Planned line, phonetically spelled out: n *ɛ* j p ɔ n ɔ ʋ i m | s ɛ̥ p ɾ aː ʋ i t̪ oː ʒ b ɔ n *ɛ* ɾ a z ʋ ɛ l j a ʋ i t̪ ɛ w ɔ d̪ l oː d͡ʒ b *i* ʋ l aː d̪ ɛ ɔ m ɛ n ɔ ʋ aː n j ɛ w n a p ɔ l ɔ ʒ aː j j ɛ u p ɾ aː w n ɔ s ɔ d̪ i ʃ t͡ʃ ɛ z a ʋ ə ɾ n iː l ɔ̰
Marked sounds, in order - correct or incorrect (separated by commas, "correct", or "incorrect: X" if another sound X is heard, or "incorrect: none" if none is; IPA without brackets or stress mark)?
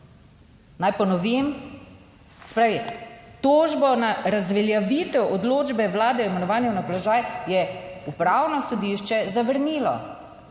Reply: incorrect: a, incorrect: a, incorrect: ɛ